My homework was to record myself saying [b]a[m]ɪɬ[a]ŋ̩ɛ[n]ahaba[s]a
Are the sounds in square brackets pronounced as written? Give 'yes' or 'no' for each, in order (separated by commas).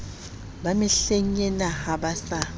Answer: yes, yes, no, yes, yes